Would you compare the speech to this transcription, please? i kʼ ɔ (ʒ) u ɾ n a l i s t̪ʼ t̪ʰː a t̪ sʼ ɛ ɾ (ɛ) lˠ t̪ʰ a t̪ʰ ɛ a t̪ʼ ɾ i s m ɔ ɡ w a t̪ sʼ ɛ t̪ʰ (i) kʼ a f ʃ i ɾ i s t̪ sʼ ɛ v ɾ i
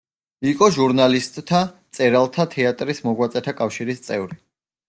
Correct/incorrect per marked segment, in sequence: correct, incorrect, incorrect

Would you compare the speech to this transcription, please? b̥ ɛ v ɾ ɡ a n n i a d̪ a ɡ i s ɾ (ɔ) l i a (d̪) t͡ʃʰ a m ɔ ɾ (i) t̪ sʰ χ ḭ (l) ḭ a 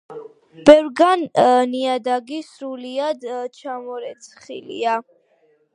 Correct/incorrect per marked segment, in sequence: incorrect, correct, incorrect, correct

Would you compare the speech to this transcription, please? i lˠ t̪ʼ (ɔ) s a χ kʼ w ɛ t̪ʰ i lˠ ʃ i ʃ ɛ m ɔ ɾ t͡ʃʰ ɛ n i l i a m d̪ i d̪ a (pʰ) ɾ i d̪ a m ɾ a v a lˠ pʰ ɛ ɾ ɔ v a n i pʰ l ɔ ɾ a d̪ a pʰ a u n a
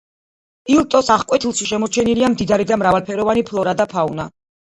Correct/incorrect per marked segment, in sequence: correct, incorrect

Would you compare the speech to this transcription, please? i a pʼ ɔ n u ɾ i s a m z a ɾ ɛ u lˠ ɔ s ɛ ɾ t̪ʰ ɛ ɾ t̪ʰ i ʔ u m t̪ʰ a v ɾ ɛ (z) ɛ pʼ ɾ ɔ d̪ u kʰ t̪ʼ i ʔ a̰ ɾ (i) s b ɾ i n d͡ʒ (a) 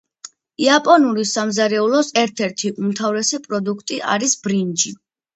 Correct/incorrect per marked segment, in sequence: incorrect, correct, incorrect

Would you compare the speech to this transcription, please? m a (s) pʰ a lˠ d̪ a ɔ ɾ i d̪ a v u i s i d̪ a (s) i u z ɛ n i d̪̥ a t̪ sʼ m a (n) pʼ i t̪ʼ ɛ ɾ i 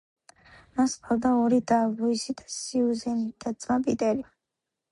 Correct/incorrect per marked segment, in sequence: correct, correct, incorrect

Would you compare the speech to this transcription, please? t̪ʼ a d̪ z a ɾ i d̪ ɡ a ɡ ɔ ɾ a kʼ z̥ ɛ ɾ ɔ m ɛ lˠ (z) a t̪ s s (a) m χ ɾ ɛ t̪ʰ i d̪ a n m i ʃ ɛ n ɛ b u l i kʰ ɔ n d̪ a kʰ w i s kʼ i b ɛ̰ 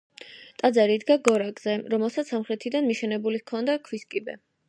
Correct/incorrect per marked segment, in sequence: incorrect, correct

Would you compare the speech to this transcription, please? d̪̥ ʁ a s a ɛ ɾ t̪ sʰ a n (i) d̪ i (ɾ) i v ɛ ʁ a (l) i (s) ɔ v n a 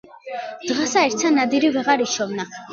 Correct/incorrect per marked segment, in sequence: incorrect, correct, incorrect, incorrect

